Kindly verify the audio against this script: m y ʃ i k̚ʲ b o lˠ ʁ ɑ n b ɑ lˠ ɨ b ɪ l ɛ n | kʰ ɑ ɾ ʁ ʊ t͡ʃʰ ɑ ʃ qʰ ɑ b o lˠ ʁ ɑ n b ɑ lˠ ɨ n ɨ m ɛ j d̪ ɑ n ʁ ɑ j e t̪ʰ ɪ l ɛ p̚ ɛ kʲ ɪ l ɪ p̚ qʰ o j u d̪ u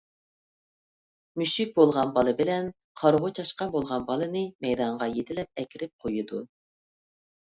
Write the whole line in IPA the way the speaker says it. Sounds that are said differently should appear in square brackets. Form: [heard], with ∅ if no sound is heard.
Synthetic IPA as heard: m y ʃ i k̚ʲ b o lˠ ʁ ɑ n b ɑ lˠ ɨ b ɪ l ɛ n | [qʰ] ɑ ɾ ʁ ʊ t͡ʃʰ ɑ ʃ [q] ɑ b o lˠ ʁ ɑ n b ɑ lˠ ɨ n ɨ m ɛ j d̪ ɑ [ɴ] ʁ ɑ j e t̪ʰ ɪ l ɛ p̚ ɛ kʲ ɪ [ɾ] ɪ p̚ qʰ o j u d̪ u